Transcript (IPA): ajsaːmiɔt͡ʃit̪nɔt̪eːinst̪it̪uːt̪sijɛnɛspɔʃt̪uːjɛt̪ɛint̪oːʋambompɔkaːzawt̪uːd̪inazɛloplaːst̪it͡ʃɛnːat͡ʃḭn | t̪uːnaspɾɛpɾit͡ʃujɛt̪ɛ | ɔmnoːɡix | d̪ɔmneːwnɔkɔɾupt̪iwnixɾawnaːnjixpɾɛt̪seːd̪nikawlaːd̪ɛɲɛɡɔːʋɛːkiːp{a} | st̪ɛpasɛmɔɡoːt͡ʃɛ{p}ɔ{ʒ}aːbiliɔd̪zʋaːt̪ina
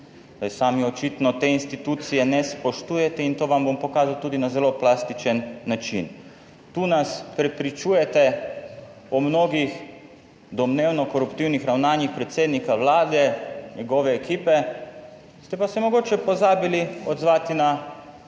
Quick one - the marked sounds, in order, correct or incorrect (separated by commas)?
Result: incorrect, correct, incorrect